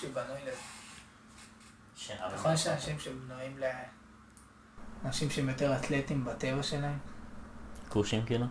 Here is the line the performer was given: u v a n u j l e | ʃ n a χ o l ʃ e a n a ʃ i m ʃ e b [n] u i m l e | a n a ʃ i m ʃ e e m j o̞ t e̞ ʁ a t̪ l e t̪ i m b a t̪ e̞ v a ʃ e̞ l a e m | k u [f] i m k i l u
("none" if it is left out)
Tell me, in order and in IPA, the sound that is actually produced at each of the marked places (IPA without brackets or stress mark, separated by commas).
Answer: n, ʃ